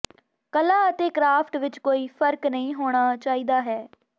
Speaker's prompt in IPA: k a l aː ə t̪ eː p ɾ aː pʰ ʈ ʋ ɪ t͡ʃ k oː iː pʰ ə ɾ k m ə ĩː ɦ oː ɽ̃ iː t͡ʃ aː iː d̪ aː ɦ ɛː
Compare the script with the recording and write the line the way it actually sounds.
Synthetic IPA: k ə l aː ə t̪ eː k ɾ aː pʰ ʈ ʋ ɪ t͡ʃ k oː iː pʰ ə ɾ k n ə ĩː ɦ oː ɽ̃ aː t͡ʃ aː iː d̪ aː ɦ ɛː